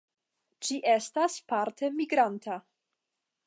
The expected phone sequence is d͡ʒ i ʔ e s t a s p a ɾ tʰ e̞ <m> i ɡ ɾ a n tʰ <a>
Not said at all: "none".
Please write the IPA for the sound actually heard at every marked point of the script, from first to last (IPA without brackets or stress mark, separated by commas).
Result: m, a